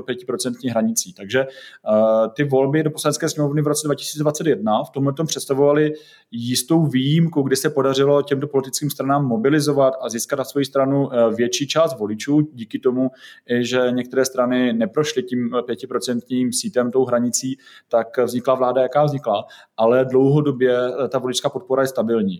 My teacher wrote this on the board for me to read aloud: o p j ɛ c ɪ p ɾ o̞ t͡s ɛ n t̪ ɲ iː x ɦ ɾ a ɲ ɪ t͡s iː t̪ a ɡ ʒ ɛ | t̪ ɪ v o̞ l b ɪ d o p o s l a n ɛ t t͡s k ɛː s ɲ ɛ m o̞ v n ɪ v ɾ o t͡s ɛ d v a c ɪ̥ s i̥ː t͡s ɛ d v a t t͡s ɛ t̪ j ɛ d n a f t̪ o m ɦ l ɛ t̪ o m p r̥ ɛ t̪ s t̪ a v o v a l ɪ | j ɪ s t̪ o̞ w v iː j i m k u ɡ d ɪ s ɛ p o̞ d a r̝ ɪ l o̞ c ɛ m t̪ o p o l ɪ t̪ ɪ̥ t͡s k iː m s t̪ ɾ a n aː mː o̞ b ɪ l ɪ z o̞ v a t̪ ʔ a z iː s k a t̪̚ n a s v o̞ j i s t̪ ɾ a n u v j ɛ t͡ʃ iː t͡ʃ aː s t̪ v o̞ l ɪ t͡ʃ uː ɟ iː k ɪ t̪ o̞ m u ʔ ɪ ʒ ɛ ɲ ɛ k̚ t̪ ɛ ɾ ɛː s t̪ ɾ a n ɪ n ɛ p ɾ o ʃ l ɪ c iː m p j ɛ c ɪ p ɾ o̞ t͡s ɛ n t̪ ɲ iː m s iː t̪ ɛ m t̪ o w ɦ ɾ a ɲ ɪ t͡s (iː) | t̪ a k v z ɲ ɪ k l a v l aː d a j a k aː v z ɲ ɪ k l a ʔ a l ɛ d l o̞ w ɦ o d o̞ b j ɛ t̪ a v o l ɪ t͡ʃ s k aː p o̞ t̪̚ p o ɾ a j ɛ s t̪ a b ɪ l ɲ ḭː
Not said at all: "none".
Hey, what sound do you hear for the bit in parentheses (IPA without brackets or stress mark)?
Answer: iː